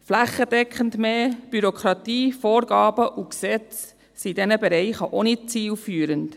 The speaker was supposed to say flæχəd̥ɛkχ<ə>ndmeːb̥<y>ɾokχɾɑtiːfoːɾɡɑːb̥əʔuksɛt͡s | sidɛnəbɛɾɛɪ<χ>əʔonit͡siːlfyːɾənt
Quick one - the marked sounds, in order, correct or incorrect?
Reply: correct, correct, correct

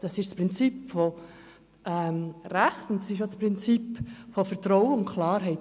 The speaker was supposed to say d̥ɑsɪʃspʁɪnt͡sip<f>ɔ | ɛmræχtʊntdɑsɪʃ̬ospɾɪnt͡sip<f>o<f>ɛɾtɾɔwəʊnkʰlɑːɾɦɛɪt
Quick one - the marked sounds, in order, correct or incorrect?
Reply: correct, correct, correct

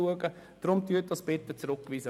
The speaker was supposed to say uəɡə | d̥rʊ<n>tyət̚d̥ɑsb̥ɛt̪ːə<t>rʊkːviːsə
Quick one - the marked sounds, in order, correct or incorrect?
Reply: incorrect, incorrect

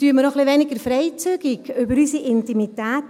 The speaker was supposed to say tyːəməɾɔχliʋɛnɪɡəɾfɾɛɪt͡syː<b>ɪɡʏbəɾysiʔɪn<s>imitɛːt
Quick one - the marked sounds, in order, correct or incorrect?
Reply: incorrect, incorrect

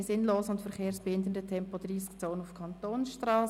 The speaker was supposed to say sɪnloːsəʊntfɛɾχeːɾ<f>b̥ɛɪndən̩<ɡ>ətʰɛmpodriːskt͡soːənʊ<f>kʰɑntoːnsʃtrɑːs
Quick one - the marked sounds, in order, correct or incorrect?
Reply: incorrect, incorrect, correct

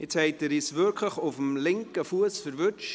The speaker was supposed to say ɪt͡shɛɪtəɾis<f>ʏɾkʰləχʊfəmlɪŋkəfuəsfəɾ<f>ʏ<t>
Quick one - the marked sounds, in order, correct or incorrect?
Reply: incorrect, incorrect, incorrect

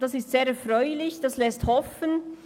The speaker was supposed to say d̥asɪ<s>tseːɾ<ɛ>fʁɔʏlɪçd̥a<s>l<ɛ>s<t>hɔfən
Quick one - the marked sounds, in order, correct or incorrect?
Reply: correct, correct, correct, correct, correct

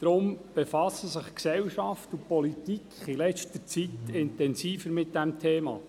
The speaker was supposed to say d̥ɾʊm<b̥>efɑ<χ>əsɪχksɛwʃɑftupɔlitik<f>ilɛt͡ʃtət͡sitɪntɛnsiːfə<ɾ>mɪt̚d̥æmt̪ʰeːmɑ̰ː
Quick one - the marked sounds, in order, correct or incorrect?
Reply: correct, incorrect, incorrect, correct

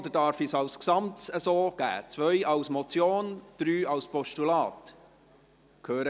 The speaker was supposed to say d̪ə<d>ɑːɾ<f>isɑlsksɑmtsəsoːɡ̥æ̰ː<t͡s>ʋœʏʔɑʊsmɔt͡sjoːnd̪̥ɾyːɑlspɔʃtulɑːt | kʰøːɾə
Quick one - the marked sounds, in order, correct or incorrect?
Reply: correct, correct, correct

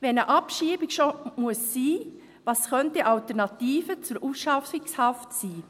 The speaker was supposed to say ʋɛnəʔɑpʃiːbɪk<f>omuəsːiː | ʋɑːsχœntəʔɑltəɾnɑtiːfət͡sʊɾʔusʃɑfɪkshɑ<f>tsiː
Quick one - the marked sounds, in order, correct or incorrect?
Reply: incorrect, correct

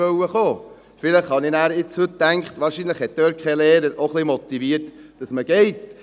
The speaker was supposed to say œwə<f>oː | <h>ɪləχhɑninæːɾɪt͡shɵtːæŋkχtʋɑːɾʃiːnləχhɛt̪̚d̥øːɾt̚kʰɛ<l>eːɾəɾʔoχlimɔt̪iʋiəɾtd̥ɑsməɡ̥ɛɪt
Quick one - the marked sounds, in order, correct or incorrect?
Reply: incorrect, incorrect, correct

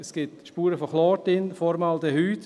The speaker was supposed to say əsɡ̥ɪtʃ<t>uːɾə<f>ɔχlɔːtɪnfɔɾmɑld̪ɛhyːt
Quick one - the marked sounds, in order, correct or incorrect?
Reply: incorrect, correct

